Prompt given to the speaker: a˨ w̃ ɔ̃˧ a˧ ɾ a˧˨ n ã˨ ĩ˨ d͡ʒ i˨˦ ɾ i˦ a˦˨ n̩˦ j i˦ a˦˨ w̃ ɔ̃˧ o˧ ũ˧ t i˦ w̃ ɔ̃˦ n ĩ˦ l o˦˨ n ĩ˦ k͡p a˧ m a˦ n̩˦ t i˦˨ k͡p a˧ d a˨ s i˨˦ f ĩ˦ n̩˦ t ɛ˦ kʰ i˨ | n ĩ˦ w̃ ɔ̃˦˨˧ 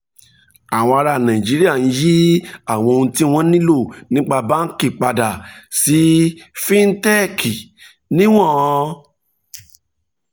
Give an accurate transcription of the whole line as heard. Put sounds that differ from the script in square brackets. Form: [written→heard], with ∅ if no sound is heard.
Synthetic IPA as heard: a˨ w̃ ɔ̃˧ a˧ ɾ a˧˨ n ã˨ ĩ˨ d͡ʒ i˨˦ ɾ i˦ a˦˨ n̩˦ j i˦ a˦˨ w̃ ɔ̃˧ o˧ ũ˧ t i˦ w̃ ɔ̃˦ n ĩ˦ l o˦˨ n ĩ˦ k͡p a˧ [m→b] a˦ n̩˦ [t→k] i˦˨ k͡p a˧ d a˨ s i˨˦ f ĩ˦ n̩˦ t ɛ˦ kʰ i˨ | n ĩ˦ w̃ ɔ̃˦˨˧